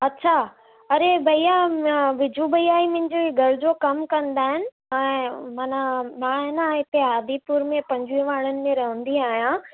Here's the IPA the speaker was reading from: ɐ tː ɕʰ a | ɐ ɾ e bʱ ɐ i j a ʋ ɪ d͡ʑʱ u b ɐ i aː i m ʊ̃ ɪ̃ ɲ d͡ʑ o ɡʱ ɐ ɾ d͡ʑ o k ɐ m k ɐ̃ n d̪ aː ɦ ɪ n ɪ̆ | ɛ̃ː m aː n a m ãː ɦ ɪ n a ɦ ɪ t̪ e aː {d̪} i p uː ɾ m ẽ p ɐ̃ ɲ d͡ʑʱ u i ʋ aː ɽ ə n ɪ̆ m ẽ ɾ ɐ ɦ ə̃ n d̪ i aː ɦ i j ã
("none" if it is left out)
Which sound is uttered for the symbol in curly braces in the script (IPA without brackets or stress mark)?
d̪